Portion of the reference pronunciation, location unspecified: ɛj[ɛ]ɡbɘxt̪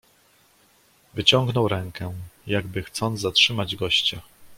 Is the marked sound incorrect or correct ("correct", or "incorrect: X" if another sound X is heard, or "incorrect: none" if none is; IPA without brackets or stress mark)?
incorrect: a